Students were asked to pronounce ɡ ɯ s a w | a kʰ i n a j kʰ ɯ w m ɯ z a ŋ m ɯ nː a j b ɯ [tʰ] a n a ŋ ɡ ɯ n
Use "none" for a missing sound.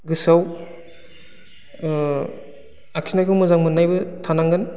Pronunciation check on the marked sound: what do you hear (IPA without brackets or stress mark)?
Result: tʰ